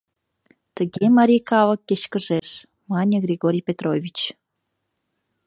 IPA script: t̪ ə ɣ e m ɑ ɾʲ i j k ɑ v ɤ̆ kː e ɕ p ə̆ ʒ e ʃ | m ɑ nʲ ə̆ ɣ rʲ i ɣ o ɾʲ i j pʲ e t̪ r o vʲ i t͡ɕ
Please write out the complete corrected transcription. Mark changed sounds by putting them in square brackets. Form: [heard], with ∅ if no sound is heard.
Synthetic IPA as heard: t̪ ə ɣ e m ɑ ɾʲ i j k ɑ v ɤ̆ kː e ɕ [k] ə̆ ʒ e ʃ | m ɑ nʲ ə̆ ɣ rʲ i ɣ o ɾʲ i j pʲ e t̪ r o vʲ i t͡ɕ